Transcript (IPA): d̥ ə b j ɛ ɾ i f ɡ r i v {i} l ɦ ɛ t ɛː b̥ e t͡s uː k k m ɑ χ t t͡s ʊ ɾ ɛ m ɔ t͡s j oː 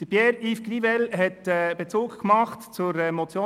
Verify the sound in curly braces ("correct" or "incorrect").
incorrect